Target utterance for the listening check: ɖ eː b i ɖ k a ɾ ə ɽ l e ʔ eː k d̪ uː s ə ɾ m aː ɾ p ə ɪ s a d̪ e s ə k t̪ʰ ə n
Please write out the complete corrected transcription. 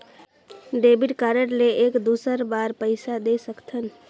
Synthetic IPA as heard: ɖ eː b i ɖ k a ɾ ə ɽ l e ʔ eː k d̪ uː s ə ɾ b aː ɾ p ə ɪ s a d̪ e s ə k t̪ʰ ə n